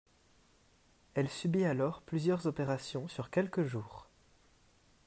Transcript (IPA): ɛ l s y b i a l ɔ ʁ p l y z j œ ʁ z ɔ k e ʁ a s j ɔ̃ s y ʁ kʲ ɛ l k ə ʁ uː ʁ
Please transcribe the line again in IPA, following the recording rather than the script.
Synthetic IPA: ɛ l s y b i a l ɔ ʁ p l y z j œ ʁ z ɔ p e ʁ a s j ɔ̃ s y ʁ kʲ ɛ l k ə ʒ uː ʁ